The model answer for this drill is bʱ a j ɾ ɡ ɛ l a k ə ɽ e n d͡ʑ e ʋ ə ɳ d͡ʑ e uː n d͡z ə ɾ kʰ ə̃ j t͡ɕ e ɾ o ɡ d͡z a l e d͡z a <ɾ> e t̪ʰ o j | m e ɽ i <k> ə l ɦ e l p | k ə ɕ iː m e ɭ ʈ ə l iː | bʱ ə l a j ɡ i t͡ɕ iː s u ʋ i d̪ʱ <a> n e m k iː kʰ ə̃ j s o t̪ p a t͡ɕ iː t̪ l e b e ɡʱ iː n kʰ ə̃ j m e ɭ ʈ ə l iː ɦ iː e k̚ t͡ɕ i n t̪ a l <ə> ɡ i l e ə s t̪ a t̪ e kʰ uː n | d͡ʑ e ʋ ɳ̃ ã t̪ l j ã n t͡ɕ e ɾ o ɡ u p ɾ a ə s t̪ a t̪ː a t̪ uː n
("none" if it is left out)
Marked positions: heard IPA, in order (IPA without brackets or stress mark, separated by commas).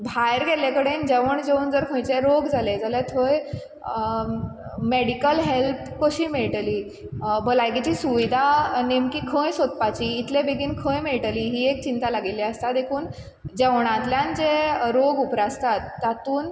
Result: l, k, a, a